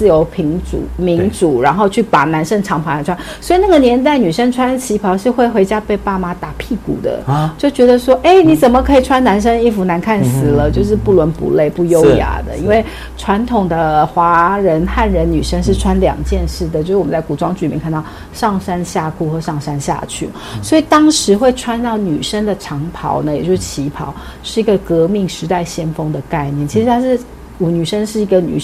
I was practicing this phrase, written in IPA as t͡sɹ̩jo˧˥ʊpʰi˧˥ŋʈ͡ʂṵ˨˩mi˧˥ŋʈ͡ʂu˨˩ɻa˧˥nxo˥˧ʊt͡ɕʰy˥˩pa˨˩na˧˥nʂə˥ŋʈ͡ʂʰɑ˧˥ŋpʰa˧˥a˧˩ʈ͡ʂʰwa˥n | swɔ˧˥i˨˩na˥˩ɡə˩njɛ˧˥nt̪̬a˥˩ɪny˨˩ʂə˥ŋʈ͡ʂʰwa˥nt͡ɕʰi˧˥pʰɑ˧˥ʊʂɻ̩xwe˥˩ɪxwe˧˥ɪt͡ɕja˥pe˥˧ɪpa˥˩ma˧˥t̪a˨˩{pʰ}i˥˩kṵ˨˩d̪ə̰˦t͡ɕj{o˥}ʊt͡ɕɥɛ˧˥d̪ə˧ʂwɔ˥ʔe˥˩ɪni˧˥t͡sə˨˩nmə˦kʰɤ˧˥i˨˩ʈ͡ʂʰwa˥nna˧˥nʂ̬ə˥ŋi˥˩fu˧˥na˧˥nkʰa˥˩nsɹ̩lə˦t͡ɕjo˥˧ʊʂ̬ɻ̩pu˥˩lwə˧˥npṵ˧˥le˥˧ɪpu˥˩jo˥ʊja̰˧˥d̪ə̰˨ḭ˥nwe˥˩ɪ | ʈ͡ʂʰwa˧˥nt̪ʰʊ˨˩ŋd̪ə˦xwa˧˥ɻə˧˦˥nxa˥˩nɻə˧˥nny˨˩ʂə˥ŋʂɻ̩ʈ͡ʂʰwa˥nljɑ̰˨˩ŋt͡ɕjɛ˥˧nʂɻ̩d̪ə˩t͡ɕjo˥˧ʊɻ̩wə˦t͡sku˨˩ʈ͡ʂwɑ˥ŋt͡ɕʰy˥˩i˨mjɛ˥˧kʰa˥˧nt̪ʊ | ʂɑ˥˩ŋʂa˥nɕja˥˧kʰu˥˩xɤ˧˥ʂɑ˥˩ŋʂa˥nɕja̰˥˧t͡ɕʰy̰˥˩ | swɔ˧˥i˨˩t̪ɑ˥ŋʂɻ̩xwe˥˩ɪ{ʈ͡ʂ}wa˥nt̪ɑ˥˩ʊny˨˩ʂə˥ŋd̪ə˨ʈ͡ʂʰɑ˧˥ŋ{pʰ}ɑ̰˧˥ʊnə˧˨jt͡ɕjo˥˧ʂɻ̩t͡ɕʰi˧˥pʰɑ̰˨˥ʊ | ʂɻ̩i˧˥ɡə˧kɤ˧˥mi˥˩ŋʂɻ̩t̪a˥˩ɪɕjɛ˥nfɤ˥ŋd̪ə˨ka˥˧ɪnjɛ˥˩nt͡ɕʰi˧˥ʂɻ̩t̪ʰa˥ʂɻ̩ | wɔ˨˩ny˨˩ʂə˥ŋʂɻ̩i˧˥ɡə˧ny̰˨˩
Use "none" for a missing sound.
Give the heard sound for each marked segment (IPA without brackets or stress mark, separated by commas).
pʰ, o˥˩, ʈ͡ʂʰ, pʰ